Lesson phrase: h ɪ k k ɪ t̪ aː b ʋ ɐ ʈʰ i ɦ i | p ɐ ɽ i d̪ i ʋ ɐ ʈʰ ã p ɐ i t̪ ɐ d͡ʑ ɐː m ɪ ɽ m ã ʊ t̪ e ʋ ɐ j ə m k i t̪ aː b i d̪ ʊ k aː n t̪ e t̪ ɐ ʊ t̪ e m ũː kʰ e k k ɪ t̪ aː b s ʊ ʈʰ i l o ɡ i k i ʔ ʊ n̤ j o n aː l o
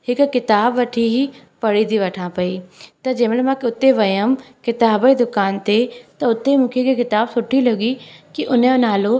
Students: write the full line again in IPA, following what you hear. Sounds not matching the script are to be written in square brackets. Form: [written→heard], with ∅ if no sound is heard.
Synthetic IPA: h ɪ k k ɪ t̪ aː b ʋ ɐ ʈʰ i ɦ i | p ɐ ɽ i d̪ i ʋ ɐ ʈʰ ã p ɐ i t̪ ɐ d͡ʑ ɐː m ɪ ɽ m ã ʊ t̪ e ʋ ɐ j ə m k [i→ɪ] t̪ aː b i d̪ ʊ k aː n t̪ e t̪ ɐ ʊ t̪ e m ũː kʰ e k k ɪ t̪ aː b s ʊ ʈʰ i l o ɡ i k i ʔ ʊ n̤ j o n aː l o